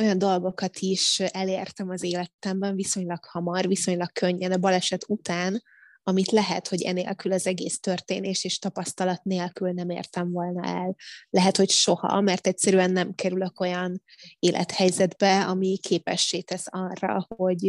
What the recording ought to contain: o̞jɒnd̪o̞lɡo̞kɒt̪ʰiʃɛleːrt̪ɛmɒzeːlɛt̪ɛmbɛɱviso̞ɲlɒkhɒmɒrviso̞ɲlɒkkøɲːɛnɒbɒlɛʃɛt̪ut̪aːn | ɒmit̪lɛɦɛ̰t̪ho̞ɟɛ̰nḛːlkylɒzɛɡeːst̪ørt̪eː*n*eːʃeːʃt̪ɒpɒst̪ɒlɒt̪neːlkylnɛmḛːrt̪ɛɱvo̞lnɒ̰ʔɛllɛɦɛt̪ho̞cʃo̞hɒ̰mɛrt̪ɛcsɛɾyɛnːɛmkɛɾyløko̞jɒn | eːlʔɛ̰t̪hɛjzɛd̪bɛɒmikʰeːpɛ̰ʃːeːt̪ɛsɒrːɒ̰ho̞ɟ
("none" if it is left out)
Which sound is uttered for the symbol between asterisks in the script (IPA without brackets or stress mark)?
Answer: n